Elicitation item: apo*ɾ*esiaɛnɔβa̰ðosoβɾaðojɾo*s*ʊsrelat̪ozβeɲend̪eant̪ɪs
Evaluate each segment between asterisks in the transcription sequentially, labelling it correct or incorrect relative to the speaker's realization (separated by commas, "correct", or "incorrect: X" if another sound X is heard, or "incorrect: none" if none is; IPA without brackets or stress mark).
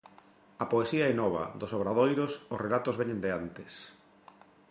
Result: incorrect: none, correct